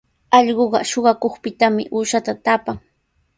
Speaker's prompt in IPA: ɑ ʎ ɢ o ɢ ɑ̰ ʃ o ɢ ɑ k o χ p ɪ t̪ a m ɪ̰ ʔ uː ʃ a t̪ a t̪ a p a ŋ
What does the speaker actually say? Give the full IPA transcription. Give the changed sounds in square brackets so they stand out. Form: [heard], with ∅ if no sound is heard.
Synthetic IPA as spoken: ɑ ʎ ɢ o ɢ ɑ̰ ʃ o ɢ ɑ k o χ p ɪ t̪ a m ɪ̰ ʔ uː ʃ a t̪ a t̪ a p a ŋ